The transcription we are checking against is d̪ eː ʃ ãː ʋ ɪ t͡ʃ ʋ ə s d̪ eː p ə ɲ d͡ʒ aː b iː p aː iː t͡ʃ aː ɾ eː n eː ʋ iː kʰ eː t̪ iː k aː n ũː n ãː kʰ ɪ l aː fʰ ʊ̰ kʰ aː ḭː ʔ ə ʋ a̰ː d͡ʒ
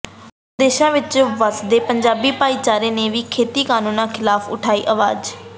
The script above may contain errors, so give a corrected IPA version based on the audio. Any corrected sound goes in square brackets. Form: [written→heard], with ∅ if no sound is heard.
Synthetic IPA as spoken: d̪ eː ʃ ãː ʋ ɪ t͡ʃ ʋ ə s d̪ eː p ə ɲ d͡ʒ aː b iː p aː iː t͡ʃ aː ɾ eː n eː ʋ iː kʰ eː t̪ iː k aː n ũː n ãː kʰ ɪ l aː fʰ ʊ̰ [kʰ→ʈʰ] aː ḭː ʔ ə ʋ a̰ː d͡ʒ

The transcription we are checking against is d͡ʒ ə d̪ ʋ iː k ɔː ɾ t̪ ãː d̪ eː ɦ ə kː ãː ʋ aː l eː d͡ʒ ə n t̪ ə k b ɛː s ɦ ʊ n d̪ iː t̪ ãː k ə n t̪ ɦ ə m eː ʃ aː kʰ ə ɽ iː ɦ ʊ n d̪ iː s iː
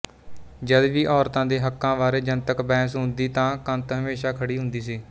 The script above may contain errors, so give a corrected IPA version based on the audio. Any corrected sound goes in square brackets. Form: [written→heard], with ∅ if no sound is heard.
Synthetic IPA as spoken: d͡ʒ ə d̪ ʋ iː [k→ʔ] ɔː ɾ t̪ ãː d̪ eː ɦ ə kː ãː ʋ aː [l→ɾ] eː d͡ʒ ə n t̪ ə k b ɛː s ɦ ʊ n d̪ iː t̪ ãː k ə n t̪ ɦ ə m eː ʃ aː kʰ ə ɽ iː ɦ ʊ n d̪ iː s iː

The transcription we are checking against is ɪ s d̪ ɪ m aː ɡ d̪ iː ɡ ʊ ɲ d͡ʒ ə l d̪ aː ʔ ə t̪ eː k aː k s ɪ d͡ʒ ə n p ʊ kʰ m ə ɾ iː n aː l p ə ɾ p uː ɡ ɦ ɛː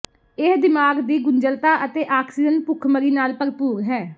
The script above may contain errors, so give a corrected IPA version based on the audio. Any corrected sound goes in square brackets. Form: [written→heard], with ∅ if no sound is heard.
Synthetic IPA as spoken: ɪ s d̪ ɪ m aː ɡ d̪ iː ɡ ʊ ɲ d͡ʒ ə l [d̪→t̪] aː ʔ ə t̪ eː [k→ʔ] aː k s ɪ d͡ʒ ə n p ʊ kʰ m ə ɾ iː n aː l p ə ɾ p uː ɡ ɦ ɛː

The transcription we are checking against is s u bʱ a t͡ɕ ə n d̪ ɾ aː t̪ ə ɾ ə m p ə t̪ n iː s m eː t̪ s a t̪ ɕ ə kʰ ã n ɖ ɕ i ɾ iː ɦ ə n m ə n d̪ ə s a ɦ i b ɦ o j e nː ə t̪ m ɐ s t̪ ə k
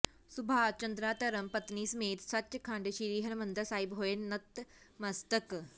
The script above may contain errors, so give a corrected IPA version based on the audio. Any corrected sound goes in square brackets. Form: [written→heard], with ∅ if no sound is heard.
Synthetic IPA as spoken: s u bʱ a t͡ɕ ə n d̪ ɾ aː t̪ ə ɾ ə m p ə t̪ n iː s m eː t̪ s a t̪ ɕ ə kʰ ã [n→ɳ] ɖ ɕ i ɾ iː ɦ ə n m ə n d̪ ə s a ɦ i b ɦ o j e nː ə t̪ m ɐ s t̪ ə k

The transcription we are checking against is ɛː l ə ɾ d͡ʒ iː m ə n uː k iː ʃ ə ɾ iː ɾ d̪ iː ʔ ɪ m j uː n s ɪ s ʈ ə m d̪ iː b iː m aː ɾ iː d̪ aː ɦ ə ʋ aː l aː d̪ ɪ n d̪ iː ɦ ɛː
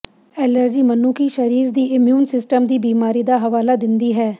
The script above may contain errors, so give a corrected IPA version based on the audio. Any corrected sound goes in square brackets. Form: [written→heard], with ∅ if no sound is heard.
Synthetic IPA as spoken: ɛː l ə ɾ d͡ʒ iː m ə n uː k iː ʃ ə ɾ iː ɾ d̪ iː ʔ ɪ m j uː n s ɪ s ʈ ə m d̪ iː b iː m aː ɾ iː d̪ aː ɦ ə ʋ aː l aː d̪ ɪ n d̪ iː ɦ ɛː

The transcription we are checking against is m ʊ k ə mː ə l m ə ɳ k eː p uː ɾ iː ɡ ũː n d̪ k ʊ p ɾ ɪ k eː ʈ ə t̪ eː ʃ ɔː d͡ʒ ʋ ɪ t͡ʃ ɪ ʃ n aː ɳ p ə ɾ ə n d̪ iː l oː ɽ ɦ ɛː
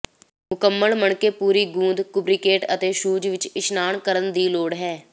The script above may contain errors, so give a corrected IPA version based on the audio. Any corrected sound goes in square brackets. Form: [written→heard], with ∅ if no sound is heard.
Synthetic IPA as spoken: m ʊ k ə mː ə l m ə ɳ k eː p uː ɾ iː ɡ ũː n d̪ k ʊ [p→b] ɾ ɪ k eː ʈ ə t̪ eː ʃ [ɔː→uː] d͡ʒ ʋ ɪ t͡ʃ ɪ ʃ n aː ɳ [p→k] ə ɾ ə n d̪ iː l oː ɽ ɦ ɛː

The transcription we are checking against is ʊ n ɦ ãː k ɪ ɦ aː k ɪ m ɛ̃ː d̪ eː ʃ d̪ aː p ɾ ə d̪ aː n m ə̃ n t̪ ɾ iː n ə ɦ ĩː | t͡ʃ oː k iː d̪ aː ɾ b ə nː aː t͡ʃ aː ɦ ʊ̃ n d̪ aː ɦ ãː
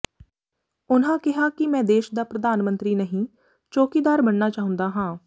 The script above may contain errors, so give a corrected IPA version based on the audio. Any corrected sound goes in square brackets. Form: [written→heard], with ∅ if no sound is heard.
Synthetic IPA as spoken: ʊ n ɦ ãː k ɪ ɦ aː k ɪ m ɛ̃ː d̪ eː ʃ d̪ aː p ɾ ə d̪ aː n m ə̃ n t̪ ɾ iː n ə ɦ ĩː | t͡ʃ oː k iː d̪ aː ɾ b ə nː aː t͡ʃ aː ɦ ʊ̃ n d̪ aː ɦ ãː

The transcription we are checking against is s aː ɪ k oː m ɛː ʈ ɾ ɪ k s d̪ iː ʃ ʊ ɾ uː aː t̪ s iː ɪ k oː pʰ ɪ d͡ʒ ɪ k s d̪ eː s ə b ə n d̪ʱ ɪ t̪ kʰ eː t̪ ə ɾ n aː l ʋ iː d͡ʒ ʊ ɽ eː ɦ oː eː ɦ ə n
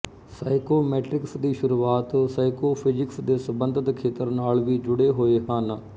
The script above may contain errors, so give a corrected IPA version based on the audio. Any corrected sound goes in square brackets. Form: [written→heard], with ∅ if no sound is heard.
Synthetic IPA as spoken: s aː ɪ k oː m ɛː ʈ ɾ ɪ k s d̪ iː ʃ ʊ ɾ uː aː t̪ s [iː→aː] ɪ k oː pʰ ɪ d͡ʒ ɪ k s d̪ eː s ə b ə n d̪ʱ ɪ t̪ kʰ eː t̪ ə ɾ n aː l ʋ iː d͡ʒ ʊ ɽ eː ɦ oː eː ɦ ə n

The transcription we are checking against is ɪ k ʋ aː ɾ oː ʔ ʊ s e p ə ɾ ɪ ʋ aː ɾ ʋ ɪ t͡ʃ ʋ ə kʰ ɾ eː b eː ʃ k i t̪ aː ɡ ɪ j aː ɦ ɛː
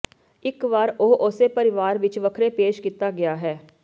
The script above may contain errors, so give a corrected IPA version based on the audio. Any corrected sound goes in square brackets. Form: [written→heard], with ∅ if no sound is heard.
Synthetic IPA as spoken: ɪ k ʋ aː ɾ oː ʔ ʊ s e p ə ɾ ɪ ʋ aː ɾ ʋ ɪ t͡ʃ ʋ ə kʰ ɾ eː [b→p] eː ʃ k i t̪ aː ɡ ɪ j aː ɦ ɛː

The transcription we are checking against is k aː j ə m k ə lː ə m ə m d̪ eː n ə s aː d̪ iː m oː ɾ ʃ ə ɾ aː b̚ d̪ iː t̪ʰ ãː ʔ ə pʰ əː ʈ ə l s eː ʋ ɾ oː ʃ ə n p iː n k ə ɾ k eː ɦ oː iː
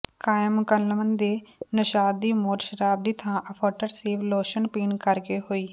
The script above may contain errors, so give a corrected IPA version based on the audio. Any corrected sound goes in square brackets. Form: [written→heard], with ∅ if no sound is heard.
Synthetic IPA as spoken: k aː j ə m k ə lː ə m ə [m→n] d̪ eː n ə [s→ʃ] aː d̪ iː m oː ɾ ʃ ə ɾ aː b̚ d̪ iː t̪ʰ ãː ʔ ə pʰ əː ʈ ə [l→ɾ] s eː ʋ [ɾ→l] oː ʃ ə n p iː n k ə ɾ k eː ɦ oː iː

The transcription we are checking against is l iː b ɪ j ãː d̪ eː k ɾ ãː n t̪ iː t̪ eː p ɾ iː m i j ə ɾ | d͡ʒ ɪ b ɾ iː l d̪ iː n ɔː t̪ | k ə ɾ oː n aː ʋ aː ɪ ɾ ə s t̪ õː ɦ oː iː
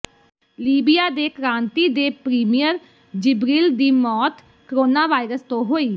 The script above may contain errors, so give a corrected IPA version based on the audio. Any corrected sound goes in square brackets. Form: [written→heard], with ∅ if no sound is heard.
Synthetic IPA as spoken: l iː b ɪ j [ãː→aː] d̪ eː k ɾ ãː n t̪ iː [t̪→d̪] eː p ɾ iː m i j ə ɾ | d͡ʒ ɪ b ɾ iː l d̪ iː [n→m] ɔː t̪ | k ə ɾ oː n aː ʋ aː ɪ ɾ ə s t̪ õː ɦ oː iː

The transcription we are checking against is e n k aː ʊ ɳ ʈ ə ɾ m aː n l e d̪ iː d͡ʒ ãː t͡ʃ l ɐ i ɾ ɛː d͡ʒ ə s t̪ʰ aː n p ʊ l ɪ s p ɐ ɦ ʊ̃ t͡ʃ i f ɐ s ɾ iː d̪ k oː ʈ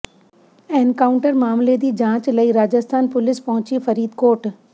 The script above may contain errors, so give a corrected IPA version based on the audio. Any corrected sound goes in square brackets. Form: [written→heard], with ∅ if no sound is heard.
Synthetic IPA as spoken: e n k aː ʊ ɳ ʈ ə ɾ m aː [n→m] l e d̪ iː d͡ʒ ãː t͡ʃ l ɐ i ɾ [ɛː→aː] d͡ʒ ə s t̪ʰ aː n p ʊ l ɪ s p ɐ ɦ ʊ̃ t͡ʃ i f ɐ [s→∅] ɾ iː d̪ k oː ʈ

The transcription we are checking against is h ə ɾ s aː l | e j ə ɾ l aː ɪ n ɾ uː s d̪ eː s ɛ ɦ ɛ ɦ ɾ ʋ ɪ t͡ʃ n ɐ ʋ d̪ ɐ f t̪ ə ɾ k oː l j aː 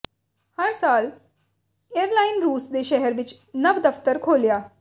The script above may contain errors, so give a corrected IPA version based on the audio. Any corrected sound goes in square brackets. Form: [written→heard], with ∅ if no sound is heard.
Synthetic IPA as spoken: h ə ɾ s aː l | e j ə ɾ l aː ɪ n ɾ uː s d̪ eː [s→ʃ] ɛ ɦ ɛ [ɦ→∅] ɾ ʋ ɪ t͡ʃ n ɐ ʋ d̪ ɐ f t̪ ə ɾ [k→kʰ] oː l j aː

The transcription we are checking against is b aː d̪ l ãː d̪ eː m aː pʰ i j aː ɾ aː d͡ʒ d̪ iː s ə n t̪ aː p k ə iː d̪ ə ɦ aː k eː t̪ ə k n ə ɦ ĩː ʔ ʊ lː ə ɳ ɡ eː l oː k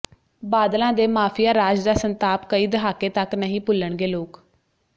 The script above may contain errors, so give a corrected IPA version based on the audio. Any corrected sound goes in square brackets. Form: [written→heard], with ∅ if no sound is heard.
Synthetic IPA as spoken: b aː d̪ l ãː d̪ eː m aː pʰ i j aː ɾ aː d͡ʒ d̪ [iː→aː] s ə n t̪ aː p k ə iː d̪ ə ɦ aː k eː t̪ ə k n ə ɦ ĩː [ʔ→p] ʊ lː ə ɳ ɡ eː l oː k

